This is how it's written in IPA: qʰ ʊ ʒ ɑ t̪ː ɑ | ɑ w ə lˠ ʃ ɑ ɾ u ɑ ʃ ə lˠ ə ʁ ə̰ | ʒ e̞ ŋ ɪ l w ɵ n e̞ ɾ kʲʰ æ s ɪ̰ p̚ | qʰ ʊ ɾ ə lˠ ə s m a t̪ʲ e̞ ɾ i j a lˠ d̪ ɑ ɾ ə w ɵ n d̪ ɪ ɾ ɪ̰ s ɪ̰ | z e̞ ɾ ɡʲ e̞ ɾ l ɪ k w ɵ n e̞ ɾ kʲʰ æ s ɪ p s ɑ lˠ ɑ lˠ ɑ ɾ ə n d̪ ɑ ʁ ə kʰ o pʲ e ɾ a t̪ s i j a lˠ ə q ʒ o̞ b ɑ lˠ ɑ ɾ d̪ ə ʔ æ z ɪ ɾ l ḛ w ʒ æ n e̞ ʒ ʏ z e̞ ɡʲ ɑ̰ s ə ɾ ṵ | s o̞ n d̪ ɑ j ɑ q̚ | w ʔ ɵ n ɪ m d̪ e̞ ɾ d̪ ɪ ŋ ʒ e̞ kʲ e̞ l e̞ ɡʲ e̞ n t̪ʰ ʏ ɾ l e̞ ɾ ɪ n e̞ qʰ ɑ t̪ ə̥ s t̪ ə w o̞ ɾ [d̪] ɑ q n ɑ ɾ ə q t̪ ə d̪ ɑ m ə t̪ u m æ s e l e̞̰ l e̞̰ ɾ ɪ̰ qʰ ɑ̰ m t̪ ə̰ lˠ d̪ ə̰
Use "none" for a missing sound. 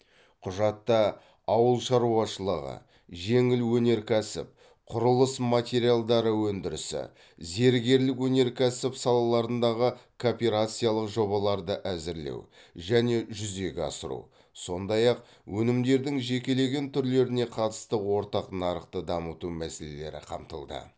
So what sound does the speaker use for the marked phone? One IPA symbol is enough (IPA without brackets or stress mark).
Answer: t̪